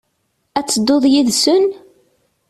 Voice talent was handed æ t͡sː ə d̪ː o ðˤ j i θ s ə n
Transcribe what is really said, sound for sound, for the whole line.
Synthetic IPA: æ t͡sː ə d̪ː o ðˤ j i ð s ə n